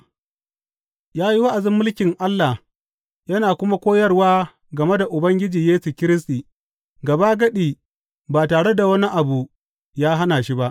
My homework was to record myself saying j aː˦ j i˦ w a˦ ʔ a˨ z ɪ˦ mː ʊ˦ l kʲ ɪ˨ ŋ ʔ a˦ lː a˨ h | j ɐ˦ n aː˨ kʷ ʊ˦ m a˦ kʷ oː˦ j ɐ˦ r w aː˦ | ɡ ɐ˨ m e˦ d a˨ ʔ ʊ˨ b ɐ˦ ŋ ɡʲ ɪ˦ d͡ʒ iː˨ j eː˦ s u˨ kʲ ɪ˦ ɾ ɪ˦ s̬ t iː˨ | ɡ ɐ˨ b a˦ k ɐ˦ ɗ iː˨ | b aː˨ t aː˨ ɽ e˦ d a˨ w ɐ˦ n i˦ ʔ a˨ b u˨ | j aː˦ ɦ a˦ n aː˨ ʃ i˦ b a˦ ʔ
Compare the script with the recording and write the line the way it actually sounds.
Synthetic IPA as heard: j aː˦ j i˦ w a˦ ʔ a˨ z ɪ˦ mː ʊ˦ l kʲ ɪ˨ ŋ ʔ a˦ lː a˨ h | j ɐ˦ n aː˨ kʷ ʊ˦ m a˦ kʷ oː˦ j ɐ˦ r w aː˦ | ɡ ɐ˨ m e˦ d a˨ ʔ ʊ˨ b ɐ˦ ŋ ɡʲ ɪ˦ d͡ʒ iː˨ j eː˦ s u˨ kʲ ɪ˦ ɾ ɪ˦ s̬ t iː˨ | ɡ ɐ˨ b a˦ ɡ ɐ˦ ɗ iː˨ | b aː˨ t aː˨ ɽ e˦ d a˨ w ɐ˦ n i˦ ʔ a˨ b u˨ | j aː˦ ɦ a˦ n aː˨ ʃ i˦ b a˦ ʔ